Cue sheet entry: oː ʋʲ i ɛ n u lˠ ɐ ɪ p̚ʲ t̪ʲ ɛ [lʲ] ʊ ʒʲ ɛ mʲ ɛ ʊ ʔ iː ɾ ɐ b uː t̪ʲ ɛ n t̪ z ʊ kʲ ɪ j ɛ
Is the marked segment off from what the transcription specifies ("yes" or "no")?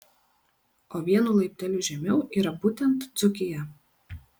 no